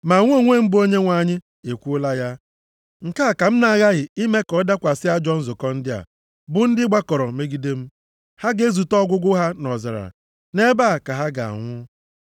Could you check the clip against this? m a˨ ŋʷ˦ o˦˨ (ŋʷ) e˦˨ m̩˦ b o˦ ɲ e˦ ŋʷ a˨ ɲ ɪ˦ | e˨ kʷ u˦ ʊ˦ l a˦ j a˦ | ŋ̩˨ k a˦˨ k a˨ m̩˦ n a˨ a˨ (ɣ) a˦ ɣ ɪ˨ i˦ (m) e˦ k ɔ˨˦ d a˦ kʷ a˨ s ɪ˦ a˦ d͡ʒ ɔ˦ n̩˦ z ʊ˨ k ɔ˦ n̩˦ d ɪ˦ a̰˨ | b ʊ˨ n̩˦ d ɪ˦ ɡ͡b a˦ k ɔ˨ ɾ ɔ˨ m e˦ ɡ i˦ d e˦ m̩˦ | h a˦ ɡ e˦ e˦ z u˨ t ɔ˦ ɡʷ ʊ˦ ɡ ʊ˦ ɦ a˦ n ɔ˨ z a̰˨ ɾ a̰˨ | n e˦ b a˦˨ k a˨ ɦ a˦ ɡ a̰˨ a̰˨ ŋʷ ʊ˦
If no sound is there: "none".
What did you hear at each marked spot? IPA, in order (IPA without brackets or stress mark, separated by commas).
ŋʷ, ɣ, m